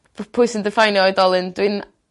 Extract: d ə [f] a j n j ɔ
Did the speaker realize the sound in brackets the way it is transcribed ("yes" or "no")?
yes